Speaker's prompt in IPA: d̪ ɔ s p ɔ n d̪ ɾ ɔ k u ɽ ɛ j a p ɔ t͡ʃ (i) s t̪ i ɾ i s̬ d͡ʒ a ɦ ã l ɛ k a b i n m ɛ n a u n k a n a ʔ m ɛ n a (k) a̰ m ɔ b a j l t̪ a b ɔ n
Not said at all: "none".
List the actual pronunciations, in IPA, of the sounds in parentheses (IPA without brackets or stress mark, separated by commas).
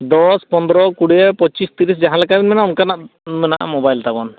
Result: i, ʔ